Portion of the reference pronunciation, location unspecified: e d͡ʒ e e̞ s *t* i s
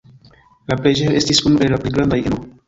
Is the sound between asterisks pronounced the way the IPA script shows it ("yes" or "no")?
yes